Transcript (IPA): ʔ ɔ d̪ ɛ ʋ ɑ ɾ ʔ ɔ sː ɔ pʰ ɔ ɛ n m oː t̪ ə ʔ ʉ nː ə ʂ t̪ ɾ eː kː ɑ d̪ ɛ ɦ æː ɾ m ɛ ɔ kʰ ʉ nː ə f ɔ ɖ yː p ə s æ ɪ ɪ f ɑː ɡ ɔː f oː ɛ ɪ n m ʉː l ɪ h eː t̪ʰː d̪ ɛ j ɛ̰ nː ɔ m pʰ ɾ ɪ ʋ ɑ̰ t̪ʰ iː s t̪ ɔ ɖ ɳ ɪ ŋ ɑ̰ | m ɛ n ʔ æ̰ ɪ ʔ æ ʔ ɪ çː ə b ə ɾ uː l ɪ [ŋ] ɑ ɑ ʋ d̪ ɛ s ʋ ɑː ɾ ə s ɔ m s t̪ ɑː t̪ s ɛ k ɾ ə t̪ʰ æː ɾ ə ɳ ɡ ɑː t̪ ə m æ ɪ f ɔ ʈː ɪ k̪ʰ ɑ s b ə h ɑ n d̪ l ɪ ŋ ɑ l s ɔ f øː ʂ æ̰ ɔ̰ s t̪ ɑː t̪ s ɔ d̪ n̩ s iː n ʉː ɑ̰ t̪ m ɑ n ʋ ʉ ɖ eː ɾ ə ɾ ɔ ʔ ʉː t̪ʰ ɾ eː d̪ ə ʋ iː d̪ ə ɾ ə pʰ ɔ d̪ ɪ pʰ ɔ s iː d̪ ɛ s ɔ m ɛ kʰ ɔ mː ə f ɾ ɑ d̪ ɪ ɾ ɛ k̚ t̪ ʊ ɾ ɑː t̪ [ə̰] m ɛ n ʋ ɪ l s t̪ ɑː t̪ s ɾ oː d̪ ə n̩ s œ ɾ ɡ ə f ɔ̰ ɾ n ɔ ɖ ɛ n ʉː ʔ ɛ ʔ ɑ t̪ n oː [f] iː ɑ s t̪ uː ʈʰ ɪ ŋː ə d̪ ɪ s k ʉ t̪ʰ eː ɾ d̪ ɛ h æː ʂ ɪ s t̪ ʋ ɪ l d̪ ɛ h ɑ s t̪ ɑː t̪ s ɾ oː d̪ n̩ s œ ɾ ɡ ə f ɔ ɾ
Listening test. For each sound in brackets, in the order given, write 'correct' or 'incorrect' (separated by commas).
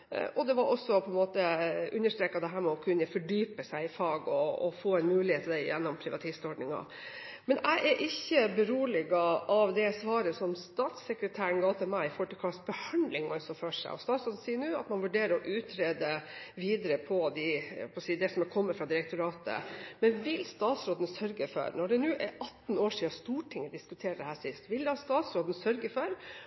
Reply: incorrect, correct, incorrect